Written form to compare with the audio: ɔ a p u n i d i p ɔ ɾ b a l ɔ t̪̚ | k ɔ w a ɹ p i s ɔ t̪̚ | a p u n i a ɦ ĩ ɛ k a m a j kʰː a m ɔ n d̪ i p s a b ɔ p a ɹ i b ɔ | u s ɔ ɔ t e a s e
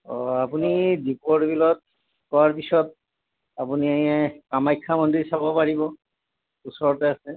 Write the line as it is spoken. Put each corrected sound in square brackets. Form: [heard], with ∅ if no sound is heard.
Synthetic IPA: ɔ a p u n i d i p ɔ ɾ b [i] l ɔ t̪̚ | k ɔ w a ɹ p i s ɔ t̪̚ | a p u n i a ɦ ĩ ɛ k a m a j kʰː a m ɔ n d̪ i [∅] s a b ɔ p a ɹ i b ɔ | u s ɔ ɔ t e a s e

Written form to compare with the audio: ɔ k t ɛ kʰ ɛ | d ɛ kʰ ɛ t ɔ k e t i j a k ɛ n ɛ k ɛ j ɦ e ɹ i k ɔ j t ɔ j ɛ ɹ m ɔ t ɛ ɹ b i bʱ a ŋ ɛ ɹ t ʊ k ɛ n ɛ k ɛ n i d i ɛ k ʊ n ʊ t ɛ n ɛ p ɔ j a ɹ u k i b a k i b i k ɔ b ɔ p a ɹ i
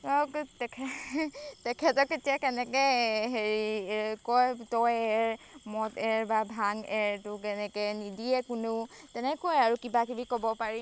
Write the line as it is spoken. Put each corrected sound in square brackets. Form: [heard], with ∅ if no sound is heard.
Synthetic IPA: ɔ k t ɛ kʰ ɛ | [t] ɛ kʰ ɛ t ɔ k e t i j a k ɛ n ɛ k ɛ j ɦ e ɹ i k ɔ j t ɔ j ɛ ɹ m ɔ t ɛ ɹ b [a] bʱ a ŋ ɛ ɹ t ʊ k ɛ n ɛ k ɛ n i d i ɛ k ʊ n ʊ t ɛ n ɛ [k] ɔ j a ɹ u k i b a k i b i k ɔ b ɔ p a ɹ i

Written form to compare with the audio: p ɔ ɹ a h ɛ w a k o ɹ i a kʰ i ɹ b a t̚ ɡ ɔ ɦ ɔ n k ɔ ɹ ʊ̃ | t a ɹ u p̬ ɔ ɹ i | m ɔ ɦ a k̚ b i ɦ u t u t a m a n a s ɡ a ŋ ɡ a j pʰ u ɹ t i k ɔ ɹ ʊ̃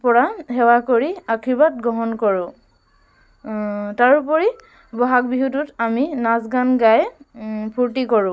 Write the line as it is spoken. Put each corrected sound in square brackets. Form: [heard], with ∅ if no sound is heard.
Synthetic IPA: p ɔ ɹ a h ɛ w a k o ɹ i a kʰ i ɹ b a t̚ ɡ ɔ ɦ ɔ n k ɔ ɹ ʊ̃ | t a ɹ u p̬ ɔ ɹ i | [b] ɔ ɦ a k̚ b i ɦ u t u t a m [i] n a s ɡ a [n] ɡ a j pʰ u ɹ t i k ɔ ɹ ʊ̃

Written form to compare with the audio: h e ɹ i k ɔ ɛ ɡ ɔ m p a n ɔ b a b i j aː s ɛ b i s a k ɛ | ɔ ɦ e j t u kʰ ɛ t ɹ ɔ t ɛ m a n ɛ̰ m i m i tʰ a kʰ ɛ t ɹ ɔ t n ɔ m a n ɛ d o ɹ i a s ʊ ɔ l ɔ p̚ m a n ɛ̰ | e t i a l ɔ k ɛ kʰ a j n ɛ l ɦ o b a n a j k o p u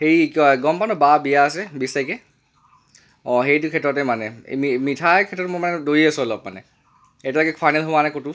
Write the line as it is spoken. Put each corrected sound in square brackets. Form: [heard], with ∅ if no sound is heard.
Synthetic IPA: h e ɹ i k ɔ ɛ ɡ ɔ m p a n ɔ b a b i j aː s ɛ b i s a k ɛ | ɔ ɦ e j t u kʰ ɛ t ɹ ɔ t ɛ m a n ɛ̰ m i m i tʰ a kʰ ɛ t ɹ ɔ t [m] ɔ m a n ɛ d o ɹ i a s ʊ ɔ l ɔ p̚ m a n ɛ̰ | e t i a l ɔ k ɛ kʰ a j n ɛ l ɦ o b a n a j k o [t] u

